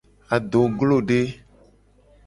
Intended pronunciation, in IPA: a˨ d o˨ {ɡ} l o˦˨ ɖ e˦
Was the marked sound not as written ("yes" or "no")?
no